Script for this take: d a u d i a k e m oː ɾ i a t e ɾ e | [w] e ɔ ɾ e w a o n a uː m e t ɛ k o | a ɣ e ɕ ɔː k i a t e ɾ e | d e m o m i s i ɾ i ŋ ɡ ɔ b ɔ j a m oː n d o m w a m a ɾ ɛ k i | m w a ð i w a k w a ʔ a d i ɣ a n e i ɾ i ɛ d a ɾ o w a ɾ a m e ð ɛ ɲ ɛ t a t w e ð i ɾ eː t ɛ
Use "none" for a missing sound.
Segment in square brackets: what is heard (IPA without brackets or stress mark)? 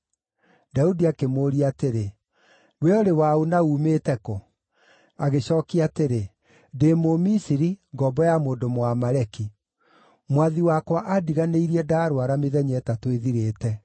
w